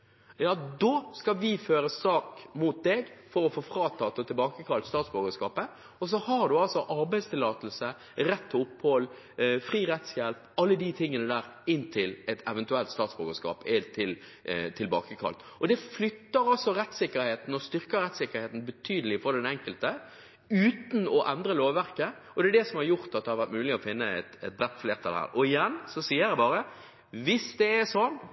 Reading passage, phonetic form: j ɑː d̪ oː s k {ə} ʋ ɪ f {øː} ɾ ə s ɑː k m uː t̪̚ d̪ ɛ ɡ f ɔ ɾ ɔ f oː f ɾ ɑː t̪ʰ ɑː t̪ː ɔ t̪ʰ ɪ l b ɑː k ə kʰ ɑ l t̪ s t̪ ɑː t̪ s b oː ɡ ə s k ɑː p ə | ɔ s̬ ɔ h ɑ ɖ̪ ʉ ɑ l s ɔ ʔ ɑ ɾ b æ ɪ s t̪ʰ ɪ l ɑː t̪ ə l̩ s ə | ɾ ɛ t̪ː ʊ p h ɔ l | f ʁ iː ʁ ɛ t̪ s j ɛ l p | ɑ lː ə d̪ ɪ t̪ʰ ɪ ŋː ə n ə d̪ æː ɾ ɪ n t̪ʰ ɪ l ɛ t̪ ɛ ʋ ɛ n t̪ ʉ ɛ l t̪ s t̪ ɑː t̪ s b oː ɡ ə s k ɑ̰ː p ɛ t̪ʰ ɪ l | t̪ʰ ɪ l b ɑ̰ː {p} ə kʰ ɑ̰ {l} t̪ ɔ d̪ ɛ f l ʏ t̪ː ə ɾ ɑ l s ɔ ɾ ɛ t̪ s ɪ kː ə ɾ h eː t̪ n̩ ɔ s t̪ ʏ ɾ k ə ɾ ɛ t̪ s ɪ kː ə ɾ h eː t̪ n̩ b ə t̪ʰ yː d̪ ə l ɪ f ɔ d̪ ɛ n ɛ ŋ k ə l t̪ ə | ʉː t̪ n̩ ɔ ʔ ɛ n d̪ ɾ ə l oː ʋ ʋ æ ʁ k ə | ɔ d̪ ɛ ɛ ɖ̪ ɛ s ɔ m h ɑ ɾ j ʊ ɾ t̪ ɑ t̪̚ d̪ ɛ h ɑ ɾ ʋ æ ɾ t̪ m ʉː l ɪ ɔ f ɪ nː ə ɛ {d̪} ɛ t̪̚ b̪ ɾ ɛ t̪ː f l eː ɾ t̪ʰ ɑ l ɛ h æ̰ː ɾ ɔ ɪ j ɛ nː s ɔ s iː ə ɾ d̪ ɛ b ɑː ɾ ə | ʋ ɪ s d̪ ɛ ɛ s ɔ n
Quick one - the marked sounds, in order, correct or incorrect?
incorrect, correct, incorrect, correct, incorrect

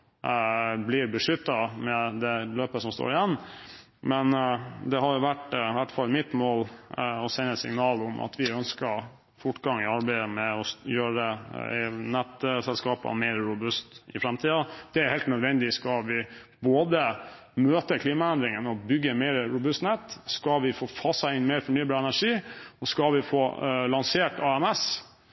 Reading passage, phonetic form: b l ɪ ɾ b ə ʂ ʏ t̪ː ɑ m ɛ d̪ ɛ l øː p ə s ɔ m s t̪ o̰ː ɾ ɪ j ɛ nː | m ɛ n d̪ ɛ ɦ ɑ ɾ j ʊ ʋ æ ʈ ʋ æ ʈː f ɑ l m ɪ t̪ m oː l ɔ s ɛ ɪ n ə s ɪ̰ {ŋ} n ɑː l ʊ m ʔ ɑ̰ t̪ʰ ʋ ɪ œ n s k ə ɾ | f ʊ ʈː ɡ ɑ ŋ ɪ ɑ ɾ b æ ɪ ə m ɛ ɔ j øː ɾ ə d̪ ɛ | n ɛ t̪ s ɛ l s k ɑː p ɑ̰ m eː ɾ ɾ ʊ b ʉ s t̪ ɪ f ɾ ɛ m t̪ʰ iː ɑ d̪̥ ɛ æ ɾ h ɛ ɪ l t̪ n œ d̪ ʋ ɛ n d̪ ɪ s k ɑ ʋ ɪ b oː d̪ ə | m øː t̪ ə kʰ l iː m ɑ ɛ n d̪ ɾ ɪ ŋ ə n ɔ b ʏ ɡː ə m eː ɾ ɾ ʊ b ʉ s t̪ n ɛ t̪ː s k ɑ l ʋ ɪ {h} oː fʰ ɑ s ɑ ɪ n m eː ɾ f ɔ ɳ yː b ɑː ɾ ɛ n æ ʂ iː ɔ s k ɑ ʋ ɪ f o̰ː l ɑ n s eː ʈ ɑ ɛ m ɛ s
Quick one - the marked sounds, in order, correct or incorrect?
correct, incorrect

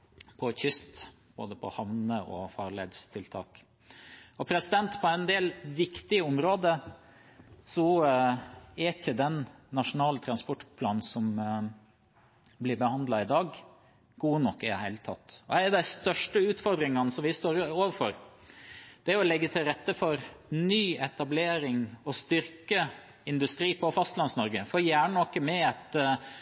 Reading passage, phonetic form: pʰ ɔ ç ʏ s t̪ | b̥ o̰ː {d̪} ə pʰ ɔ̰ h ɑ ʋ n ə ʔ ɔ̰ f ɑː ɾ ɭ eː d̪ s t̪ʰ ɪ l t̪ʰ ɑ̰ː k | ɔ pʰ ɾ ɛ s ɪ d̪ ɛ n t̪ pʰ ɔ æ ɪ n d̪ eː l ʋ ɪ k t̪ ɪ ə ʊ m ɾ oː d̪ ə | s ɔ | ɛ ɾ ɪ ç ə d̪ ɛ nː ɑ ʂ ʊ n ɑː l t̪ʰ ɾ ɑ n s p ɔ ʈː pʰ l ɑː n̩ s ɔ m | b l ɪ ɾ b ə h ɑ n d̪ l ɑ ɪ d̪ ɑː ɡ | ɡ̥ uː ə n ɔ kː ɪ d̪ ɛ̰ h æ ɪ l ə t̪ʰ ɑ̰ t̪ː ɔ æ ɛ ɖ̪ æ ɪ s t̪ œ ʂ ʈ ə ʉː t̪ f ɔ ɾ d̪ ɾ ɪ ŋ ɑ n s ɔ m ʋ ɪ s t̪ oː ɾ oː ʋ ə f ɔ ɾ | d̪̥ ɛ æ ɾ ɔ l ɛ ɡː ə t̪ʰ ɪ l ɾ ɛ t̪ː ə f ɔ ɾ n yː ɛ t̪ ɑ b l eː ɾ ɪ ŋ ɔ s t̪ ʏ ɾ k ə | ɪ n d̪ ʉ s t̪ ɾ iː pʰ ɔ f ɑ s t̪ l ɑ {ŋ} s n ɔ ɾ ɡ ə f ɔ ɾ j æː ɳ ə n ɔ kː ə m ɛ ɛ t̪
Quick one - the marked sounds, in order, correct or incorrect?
correct, incorrect

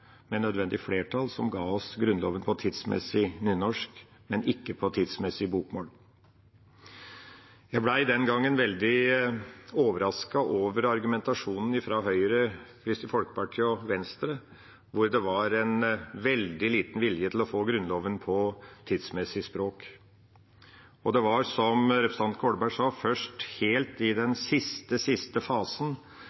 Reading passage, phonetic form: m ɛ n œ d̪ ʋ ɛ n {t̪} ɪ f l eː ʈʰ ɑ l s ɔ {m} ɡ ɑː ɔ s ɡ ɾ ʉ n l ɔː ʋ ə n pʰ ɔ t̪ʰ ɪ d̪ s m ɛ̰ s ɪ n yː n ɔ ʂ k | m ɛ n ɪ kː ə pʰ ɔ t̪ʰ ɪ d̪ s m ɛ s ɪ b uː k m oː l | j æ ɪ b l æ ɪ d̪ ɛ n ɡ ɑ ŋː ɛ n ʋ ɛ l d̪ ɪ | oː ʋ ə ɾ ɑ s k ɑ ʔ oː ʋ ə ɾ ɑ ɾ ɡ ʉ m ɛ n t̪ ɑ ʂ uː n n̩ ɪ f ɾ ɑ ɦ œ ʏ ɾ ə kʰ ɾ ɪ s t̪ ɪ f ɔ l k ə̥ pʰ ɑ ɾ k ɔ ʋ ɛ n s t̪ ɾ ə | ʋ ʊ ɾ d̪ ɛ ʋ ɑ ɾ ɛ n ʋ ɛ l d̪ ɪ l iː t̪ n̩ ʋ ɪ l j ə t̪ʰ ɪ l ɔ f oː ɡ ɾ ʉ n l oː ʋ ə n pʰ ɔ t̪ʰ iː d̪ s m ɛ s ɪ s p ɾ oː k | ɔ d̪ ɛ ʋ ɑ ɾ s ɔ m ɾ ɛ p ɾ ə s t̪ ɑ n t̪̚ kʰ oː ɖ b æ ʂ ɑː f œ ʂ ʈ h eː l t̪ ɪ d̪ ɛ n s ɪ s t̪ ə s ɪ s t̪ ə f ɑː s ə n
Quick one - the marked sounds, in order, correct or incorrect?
incorrect, correct

